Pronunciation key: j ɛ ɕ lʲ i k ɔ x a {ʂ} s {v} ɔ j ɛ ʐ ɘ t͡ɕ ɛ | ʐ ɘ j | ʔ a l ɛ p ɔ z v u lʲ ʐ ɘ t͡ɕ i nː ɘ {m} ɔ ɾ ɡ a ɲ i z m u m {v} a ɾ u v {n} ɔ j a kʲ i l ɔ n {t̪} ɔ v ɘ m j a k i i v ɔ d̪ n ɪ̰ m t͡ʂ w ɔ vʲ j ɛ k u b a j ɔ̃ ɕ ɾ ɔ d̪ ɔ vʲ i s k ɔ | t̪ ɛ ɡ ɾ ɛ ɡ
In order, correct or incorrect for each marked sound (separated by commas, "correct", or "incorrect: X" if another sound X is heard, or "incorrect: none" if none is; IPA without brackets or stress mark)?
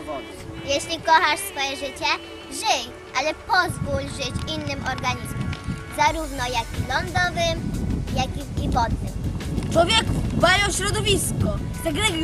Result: correct, incorrect: f, correct, incorrect: z, correct, incorrect: d̪